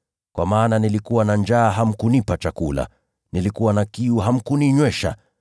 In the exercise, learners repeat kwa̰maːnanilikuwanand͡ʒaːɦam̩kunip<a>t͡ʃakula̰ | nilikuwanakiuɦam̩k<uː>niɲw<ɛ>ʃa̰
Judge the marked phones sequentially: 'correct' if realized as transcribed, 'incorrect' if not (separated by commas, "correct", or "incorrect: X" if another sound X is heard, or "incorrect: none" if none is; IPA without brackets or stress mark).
correct, incorrect: u, correct